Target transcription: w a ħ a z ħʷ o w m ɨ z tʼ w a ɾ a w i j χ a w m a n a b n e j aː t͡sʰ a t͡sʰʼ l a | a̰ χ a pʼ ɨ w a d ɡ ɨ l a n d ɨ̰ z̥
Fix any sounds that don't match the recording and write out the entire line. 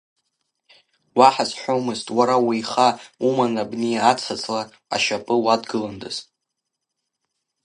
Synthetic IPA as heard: w a ħ a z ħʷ o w m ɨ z tʼ w a ɾ a w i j χ a u m a n a b n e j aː t͡sʰ a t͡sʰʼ l a | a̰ ʃ a pʼ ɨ w a d ɡ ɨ l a n d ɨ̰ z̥